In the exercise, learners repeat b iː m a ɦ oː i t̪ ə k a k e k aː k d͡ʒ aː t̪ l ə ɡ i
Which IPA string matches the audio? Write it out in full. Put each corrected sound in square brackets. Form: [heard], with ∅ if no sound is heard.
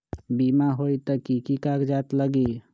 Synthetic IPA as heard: b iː m a ɦ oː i t̪ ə k [i] k [i] k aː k d͡ʒ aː t̪ l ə ɡ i